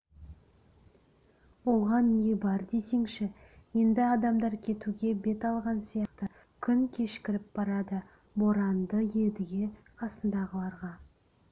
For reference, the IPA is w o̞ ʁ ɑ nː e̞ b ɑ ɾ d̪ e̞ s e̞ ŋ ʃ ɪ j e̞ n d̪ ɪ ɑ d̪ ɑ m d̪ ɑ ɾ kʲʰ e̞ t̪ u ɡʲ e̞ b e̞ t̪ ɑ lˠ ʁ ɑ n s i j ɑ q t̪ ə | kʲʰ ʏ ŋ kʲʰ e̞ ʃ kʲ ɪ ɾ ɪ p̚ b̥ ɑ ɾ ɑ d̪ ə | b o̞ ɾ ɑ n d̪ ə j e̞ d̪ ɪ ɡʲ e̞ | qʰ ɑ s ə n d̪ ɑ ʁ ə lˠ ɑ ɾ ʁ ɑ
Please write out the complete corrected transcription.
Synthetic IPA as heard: w o̞ ʁ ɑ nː e̞ b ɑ ɾ d̪ e̞ s e̞ ŋ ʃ ɪ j e̞ n d̪ ɪ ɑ d̪ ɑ m d̪ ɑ ɾ kʲʰ e̞ t̪ u ɡʲ e̞ b e̞ t̪ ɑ lˠ ʁ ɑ n s i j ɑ q t̪ ə | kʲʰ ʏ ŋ kʲʰ e̞ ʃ kʲ ɪ ɾ ɪ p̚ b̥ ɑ ɾ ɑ d̪ ə | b o̞ ɾ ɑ n d̪ ə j e̞ d̪ ɪ ɡʲ e̞ | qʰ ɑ s ə n d̪ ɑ ʁ ə lˠ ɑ ɾ ʁ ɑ